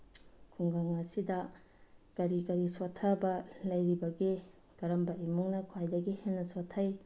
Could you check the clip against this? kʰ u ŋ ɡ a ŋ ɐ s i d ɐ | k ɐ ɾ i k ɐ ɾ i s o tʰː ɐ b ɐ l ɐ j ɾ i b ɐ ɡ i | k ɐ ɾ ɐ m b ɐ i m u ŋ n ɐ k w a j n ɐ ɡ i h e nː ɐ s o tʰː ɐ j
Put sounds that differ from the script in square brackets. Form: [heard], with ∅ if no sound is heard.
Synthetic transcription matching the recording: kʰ u ŋ ɡ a ŋ ɐ s i d ɐ | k ɐ ɾ i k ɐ ɾ i s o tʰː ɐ b ɐ l ɐ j ɾ i b ɐ ɡ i | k ɐ ɾ ɐ m b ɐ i m u ŋ n ɐ [kʰ] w a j [d] ɐ ɡ i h e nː ɐ s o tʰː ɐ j